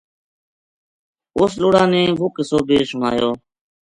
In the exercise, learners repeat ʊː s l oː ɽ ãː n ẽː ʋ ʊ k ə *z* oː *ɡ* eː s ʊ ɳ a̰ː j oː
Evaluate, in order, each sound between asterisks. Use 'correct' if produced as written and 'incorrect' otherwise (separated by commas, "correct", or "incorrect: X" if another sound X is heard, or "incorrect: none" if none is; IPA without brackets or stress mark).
incorrect: s, incorrect: b